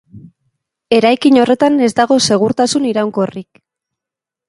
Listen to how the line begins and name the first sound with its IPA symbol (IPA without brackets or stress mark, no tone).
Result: e̞